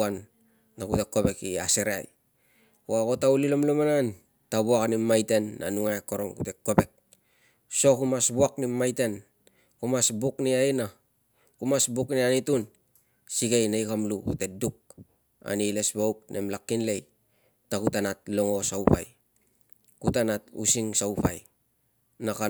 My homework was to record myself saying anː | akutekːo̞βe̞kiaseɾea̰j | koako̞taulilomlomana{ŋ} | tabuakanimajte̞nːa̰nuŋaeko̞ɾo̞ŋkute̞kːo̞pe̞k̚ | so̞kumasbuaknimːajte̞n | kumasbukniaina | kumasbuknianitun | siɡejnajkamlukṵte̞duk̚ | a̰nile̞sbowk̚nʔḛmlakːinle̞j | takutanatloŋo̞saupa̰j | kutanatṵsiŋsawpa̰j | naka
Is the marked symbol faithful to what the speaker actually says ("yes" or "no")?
no